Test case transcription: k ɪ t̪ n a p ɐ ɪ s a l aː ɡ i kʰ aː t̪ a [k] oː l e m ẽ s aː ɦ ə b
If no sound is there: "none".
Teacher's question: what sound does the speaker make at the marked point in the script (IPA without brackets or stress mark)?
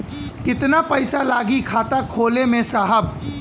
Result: kʰ